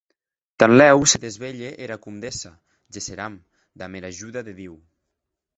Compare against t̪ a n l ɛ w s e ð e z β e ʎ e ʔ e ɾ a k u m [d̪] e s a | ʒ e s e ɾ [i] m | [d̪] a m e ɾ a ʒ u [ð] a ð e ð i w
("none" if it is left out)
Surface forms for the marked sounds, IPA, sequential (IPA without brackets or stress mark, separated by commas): d̪, a, d̪, ð